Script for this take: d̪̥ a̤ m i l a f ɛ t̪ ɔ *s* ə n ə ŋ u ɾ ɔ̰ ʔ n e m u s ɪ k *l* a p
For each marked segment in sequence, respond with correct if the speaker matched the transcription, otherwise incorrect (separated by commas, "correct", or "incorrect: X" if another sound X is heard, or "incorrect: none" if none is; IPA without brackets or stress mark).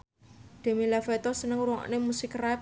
correct, incorrect: r